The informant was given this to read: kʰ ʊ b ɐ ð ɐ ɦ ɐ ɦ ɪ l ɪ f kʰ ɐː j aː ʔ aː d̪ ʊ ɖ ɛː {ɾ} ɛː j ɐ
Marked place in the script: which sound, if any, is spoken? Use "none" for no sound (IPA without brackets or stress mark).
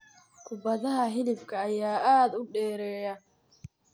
ɾ